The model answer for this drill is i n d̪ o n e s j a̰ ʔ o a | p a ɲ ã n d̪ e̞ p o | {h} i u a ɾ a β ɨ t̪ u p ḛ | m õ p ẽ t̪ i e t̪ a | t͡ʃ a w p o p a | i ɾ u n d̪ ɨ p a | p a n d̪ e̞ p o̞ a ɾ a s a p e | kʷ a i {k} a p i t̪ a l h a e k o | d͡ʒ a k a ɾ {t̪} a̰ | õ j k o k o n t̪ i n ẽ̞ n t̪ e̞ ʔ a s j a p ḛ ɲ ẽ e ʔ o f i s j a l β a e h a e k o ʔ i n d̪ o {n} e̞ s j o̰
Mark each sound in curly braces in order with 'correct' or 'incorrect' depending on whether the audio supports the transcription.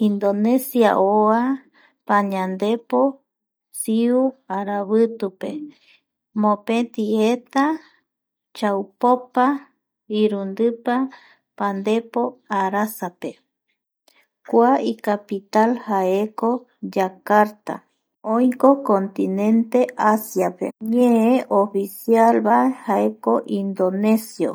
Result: incorrect, correct, correct, correct

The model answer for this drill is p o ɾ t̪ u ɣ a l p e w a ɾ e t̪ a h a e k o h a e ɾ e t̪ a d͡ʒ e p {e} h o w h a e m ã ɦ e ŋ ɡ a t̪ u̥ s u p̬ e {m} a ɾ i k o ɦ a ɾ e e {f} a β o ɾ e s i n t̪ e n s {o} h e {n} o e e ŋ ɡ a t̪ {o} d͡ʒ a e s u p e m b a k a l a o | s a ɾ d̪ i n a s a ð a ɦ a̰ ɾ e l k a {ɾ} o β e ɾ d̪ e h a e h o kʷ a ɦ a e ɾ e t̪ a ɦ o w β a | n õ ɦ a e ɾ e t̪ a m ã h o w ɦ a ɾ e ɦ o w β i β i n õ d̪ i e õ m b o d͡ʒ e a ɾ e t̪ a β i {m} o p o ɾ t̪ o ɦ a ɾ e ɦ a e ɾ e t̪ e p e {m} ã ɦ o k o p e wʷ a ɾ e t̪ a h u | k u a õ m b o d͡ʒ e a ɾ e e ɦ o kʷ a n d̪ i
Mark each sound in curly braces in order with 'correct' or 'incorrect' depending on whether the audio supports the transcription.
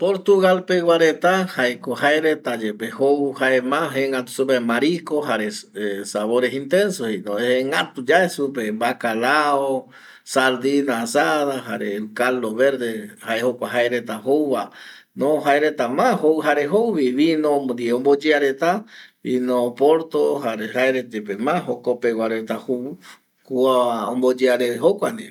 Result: correct, correct, incorrect, correct, correct, incorrect, incorrect, incorrect, correct

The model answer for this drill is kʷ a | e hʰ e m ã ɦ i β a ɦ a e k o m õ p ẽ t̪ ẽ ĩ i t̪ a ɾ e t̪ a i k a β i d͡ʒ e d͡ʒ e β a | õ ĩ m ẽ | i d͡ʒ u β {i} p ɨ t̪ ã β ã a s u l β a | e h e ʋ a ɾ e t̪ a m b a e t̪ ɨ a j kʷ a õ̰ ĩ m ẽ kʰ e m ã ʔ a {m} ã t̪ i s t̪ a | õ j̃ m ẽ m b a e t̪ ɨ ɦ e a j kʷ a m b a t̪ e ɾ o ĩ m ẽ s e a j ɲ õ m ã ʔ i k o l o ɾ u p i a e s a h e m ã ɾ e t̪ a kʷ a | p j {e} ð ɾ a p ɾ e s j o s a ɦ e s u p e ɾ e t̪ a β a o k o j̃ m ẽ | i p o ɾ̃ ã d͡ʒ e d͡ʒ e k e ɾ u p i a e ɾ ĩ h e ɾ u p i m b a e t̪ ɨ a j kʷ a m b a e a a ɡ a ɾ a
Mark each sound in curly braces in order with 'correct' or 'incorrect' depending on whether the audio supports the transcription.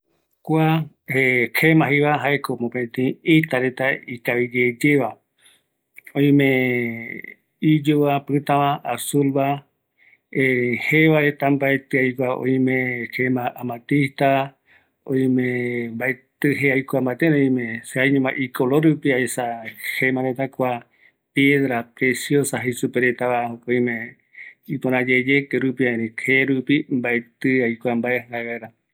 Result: incorrect, correct, correct

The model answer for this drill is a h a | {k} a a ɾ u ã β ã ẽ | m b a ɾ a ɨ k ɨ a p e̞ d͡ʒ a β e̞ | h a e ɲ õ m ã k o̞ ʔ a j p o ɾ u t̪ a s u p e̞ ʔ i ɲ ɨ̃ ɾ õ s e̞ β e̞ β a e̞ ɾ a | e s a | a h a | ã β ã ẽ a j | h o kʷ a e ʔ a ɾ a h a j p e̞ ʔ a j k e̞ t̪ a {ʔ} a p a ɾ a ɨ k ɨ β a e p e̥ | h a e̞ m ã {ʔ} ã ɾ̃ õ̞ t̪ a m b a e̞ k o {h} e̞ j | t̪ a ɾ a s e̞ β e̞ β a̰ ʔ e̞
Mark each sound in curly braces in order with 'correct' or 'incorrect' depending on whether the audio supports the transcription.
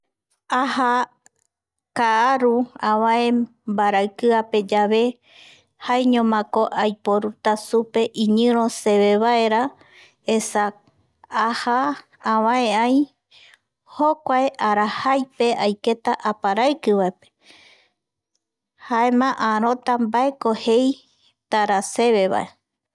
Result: correct, correct, correct, correct

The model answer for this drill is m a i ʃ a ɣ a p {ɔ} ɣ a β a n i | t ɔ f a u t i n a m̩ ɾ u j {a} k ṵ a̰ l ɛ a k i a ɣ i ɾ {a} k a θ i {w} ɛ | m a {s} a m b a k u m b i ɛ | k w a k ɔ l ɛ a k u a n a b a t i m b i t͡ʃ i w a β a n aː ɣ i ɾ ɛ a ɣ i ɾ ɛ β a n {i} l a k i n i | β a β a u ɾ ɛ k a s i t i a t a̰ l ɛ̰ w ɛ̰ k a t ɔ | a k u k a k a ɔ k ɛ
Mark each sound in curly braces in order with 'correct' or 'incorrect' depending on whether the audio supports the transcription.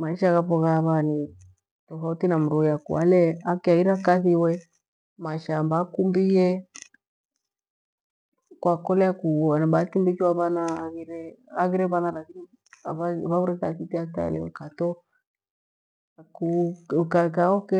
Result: correct, correct, correct, correct, incorrect, incorrect

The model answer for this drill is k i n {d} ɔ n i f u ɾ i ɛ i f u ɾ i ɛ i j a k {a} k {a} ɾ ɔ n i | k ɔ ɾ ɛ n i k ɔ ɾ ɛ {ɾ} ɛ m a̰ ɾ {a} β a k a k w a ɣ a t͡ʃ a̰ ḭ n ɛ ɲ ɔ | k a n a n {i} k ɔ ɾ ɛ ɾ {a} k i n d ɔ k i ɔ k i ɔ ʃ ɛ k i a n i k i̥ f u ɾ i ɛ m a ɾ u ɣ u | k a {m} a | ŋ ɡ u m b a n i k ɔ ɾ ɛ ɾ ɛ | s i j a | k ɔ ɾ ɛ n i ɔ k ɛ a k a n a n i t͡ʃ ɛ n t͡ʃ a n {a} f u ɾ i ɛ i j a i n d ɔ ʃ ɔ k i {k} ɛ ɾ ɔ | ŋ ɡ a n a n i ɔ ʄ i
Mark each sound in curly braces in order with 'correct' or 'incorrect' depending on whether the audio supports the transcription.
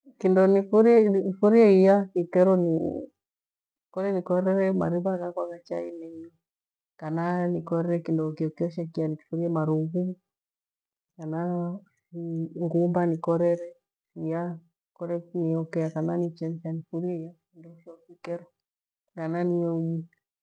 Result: correct, incorrect, incorrect, correct, incorrect, correct, incorrect, incorrect, incorrect, correct

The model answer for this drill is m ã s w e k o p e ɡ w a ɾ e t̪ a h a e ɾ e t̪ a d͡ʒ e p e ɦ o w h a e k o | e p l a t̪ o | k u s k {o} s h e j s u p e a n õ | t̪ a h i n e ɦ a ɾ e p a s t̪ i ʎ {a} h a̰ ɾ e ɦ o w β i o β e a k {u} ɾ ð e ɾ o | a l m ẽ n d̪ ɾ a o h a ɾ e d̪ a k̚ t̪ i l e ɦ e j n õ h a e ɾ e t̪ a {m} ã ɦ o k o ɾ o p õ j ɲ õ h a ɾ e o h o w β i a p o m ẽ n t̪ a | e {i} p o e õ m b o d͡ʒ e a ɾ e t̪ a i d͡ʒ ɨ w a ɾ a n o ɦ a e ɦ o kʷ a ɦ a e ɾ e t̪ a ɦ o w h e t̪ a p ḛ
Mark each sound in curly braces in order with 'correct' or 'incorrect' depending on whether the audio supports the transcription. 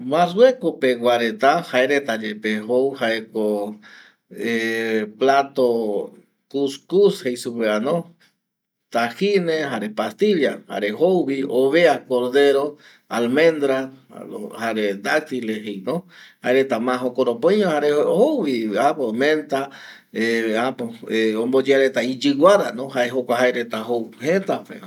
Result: incorrect, correct, incorrect, correct, incorrect

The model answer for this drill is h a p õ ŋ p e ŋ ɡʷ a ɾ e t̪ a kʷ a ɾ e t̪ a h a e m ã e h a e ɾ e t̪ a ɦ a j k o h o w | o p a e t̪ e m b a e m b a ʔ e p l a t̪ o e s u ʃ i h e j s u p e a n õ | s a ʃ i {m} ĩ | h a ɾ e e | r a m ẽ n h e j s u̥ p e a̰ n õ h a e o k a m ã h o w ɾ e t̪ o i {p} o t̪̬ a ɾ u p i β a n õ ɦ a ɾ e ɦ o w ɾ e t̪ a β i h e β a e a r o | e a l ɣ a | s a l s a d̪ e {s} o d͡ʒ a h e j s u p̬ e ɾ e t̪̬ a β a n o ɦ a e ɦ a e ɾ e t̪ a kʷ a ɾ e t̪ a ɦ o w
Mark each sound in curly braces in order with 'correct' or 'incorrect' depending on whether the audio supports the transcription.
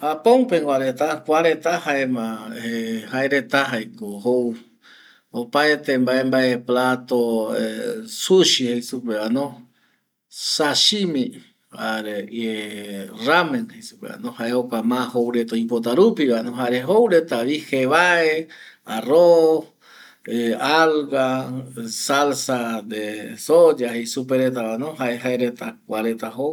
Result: correct, correct, correct

